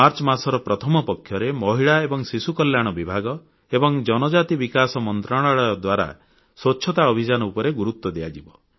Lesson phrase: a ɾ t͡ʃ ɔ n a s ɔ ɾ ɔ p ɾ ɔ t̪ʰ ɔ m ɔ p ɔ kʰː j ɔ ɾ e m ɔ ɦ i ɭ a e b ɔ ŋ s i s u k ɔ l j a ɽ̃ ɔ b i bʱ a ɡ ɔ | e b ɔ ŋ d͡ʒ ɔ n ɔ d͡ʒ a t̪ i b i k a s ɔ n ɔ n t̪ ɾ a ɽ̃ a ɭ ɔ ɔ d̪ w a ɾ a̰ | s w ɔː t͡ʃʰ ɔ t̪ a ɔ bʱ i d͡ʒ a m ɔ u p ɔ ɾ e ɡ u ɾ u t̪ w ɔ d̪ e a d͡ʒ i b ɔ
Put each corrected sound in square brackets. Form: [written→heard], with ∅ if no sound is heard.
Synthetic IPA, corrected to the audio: a ɾ t͡ʃ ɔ [n→m] a s ɔ ɾ ɔ p ɾ ɔ t̪ʰ ɔ m ɔ p ɔ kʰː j ɔ ɾ e m ɔ ɦ i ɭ a e b ɔ ŋ s i s u k ɔ l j a ɽ̃ ɔ b i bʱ a ɡ ɔ | e b ɔ ŋ d͡ʒ ɔ n ɔ d͡ʒ a t̪ i b i k a s ɔ [n→m] ɔ n t̪ ɾ a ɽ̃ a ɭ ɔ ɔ d̪ w a ɾ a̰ | s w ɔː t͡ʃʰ ɔ t̪ a ɔ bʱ i d͡ʒ a [m→n] ɔ u p ɔ ɾ e ɡ u ɾ u t̪ w ɔ d̪ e a d͡ʒ i b ɔ